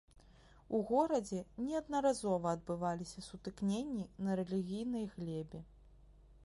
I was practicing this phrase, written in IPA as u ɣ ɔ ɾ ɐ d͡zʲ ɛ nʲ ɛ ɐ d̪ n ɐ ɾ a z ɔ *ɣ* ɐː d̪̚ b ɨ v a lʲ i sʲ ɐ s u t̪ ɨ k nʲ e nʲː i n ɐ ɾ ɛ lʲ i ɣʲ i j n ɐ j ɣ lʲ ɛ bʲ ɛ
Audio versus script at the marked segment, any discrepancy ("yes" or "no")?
yes